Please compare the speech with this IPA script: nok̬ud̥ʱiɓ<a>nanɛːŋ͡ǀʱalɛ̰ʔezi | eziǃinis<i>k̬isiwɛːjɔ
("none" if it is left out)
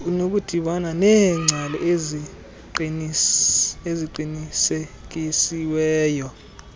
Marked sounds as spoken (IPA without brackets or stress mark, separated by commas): a, e